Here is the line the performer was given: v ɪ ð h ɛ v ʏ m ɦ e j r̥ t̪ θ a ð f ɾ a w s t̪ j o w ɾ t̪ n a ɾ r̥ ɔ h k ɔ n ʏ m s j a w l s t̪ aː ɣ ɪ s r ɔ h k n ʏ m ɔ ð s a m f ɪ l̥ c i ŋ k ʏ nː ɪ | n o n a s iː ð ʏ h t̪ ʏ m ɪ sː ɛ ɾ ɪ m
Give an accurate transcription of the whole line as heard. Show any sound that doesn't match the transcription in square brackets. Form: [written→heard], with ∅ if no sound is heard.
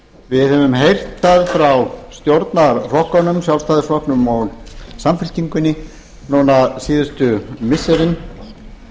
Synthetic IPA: v ɪ ð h ɛ v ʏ m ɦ e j r̥ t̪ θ a ð f ɾ a w s t̪ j o w ɾ t̪ n a ɾ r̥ ɔ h k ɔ n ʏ m s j a w l s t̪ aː [ɣ→ð] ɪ s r ɔ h k n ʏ m ɔ [ð→ɣ] s a m f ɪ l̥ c i ŋ k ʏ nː ɪ | n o n a s iː ð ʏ [h→s] t̪ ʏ m ɪ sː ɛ ɾ ɪ [m→n]

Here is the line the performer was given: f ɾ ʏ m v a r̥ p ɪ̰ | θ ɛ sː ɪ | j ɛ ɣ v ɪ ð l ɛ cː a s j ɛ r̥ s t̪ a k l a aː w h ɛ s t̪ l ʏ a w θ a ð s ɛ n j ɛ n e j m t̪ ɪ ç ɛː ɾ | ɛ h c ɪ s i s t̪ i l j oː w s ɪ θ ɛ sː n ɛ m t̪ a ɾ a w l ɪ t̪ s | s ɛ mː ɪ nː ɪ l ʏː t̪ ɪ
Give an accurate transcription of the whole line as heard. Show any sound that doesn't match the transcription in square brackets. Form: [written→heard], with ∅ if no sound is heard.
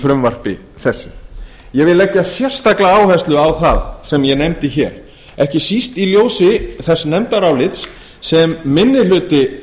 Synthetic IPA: f ɾ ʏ m v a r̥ p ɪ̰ | θ ɛ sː ɪ | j ɛ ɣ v ɪ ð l ɛ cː a s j ɛ r̥ s t̪ a k l a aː w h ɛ s t̪ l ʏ a w θ a ð s ɛ [n→m] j ɛ n e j m t̪ ɪ ç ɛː ɾ | ɛ h c ɪ s i s t̪ i l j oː w s ɪ θ ɛ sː n ɛ m t̪ a ɾ a w l ɪ t̪ s | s ɛ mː ɪ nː ɪ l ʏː t̪ ɪ

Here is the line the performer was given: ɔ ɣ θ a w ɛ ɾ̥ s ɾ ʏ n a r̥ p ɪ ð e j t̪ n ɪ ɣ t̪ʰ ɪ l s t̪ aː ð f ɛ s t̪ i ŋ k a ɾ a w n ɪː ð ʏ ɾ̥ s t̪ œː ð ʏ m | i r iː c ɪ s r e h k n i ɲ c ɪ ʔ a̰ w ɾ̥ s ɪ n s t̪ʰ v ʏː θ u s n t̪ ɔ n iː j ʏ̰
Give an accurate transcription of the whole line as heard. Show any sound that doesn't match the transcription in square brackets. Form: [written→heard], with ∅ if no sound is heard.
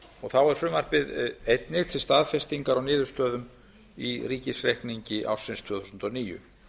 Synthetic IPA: ɔ ɣ θ a w ɛ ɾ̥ [s→f] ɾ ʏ [n→m] a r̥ p ɪ ð e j t̪ n ɪ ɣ t̪ʰ ɪ l s t̪ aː ð f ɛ s t̪ i ŋ k a ɾ a w n ɪː ð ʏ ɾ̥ s t̪ œː ð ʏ m | i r iː c ɪ s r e h k n i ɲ c ɪ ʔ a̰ w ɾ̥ s ɪ n s t̪ʰ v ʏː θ u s n t̪ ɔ n iː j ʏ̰

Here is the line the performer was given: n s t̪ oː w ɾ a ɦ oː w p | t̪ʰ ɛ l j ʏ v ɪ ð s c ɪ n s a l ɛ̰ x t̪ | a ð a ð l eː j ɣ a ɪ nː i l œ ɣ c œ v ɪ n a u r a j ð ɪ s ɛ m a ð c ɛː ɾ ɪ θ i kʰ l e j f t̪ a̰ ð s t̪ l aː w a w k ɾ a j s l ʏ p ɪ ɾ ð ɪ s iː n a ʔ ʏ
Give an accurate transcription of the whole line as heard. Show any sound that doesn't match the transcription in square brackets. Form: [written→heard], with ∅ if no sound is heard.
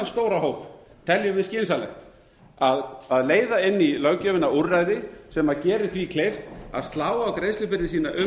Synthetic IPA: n s t̪ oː w ɾ a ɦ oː w p | t̪ʰ ɛ l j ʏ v ɪ ð s c ɪ n s a l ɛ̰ x t̪ | a ð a ð l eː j [ɣ→ð] a ɪ nː i l œ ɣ c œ v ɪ n a u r a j ð ɪ s ɛ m a ð c ɛː ɾ ɪ θ i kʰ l e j f t̪ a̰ ð s t̪ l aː w a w k ɾ [a→e] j s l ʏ p ɪ ɾ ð ɪ s iː n a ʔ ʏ

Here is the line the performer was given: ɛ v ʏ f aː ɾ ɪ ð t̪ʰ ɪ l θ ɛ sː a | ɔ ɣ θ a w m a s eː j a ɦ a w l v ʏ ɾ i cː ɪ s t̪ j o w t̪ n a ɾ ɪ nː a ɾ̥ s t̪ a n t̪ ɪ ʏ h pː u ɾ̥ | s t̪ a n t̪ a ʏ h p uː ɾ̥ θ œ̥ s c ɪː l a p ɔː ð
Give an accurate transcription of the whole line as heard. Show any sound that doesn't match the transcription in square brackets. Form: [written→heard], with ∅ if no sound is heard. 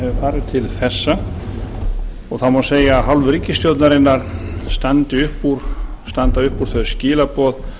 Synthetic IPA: ɛ v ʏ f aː ɾ ɪ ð t̪ʰ ɪ l θ ɛ sː a | ɔ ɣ θ a w m a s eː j a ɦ a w l v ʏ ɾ i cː ɪ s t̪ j o w t̪ n a ɾ ɪ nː a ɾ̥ s t̪ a n t̪ ɪ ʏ h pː u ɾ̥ | s t̪ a n t̪ a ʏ h p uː ɾ̥ θ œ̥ s c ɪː l a p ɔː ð

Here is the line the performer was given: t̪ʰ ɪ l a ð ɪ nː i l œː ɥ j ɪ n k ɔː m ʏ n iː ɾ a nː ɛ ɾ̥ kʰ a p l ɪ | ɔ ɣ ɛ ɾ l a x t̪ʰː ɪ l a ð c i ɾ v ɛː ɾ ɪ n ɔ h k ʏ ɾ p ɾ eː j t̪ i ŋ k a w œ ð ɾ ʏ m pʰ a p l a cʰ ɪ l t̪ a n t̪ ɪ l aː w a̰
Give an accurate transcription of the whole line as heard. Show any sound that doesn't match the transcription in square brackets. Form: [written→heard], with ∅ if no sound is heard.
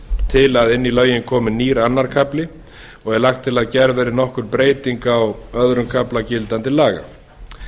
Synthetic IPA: t̪ʰ ɪ l a ð ɪ nː i l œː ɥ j ɪ n [k→kʰ] ɔː m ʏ n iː ɾ a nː [ɛ→a] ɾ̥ kʰ a p l ɪ | ɔ ɣ ɛ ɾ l a x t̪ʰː ɪ l a ð c [i→ɛ] ɾ v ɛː ɾ ɪ n ɔ h k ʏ ɾ p ɾ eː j t̪ i ŋ k a w œ ð ɾ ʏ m [pʰ→kʰ] a p l a [cʰ→c] ɪ l t̪ a n t̪ ɪ l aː [w→ɣ] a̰

